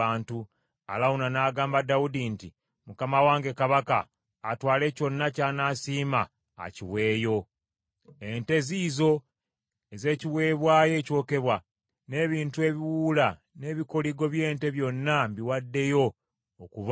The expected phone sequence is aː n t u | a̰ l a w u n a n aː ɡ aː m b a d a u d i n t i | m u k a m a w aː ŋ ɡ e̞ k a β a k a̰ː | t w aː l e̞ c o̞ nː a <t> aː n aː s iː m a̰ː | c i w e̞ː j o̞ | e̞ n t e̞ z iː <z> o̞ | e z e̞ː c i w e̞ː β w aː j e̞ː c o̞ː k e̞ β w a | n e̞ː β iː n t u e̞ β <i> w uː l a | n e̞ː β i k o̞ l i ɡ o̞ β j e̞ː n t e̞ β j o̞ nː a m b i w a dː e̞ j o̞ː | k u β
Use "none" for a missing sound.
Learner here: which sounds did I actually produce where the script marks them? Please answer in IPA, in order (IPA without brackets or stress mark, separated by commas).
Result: c, z, i